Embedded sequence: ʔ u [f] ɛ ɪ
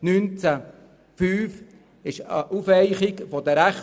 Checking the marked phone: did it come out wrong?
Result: no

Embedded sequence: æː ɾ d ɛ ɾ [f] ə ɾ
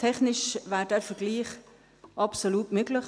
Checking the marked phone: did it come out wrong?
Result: no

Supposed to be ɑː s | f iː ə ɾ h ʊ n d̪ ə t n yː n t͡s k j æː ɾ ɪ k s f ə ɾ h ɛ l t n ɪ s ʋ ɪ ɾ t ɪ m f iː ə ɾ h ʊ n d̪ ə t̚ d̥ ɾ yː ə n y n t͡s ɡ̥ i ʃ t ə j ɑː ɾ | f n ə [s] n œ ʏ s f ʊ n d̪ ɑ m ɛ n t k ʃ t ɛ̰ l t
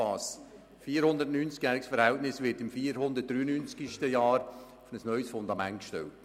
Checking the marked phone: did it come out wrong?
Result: no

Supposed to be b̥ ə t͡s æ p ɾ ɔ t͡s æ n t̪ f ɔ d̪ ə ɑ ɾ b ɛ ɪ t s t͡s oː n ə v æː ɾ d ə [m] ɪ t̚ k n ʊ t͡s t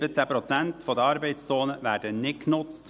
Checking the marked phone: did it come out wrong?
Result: yes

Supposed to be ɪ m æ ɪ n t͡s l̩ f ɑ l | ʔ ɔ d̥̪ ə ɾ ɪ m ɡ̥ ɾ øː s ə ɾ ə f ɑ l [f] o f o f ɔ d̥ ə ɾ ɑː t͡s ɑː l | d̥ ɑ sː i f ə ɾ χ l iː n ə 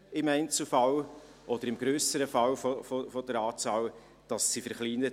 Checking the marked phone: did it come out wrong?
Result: no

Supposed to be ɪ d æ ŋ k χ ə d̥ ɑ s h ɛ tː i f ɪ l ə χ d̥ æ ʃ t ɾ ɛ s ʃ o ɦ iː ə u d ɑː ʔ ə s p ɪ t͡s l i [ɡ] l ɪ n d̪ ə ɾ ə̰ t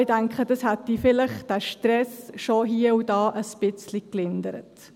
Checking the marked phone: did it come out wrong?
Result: yes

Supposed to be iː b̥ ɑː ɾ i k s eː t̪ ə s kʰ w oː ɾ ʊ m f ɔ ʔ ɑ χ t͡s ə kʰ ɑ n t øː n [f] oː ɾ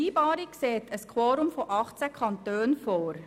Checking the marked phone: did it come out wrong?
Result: no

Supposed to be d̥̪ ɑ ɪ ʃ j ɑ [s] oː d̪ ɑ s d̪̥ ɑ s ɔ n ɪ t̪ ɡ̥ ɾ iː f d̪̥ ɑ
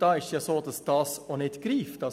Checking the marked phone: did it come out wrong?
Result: no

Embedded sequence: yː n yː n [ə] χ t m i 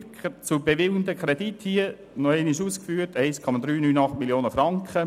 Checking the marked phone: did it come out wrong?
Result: yes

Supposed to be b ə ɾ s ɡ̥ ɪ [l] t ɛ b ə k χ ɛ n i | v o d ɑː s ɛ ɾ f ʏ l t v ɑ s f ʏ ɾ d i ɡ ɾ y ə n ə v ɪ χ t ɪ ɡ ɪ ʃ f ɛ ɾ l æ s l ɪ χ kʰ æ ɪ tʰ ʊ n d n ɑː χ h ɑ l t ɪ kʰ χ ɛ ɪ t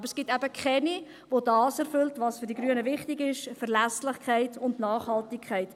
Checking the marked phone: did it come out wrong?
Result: yes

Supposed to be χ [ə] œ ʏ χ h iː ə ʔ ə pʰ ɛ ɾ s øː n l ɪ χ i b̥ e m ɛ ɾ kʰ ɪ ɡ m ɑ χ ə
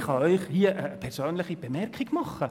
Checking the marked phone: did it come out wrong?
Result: yes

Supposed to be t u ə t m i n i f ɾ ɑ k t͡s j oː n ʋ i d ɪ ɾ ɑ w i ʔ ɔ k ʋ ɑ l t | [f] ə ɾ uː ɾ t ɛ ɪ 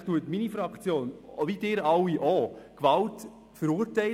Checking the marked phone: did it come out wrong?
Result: no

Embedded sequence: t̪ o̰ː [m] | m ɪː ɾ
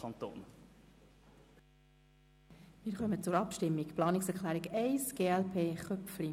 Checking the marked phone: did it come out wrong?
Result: yes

